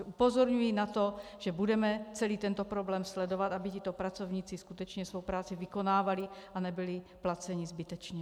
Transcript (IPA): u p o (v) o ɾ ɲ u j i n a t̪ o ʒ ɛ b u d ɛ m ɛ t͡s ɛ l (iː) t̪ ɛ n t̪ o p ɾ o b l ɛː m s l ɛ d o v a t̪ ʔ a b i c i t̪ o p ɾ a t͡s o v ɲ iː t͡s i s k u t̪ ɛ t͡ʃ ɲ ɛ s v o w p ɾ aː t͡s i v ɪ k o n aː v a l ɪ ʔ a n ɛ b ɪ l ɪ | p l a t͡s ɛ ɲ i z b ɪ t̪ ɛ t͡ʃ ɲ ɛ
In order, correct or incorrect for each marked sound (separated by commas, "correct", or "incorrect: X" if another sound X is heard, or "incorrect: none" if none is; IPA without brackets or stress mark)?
incorrect: z, correct